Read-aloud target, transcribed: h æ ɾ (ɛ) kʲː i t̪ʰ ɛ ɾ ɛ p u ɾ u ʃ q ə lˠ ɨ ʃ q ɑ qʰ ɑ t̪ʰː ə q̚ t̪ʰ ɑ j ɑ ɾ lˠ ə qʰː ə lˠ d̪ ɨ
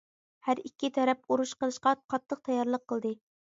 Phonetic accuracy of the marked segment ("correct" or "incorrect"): incorrect